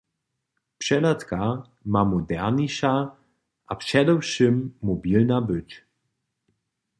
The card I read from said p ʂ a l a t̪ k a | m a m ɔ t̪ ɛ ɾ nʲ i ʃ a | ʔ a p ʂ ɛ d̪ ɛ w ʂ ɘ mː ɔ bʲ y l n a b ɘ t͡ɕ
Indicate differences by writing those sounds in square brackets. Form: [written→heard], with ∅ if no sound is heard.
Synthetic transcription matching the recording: p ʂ [a→ɛ] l a t̪ k a | m a m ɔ [t̪→d̪] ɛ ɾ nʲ i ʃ a | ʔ a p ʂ ɛ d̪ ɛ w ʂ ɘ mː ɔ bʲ [y→i] l n a b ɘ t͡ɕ